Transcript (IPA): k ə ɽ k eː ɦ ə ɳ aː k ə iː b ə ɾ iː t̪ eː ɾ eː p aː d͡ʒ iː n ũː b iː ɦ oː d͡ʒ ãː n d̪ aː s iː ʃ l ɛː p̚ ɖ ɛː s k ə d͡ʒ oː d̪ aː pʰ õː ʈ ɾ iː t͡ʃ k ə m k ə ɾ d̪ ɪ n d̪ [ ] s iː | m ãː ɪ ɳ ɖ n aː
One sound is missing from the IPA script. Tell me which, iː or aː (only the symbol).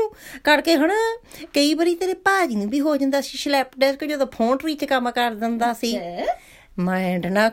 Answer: aː